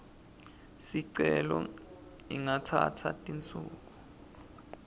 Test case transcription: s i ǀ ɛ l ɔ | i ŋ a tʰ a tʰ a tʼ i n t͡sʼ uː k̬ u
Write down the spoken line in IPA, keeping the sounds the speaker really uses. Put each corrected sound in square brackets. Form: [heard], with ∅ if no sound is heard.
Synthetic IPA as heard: s i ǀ ɛ l ɔ | i ŋ a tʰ a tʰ a tʼ i n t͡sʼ uː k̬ u